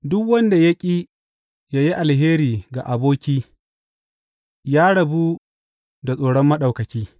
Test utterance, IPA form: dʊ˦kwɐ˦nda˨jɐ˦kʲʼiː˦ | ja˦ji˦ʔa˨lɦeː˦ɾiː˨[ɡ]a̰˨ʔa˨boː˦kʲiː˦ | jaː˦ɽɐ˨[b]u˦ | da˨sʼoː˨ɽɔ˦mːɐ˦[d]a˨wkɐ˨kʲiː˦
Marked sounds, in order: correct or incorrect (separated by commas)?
correct, correct, incorrect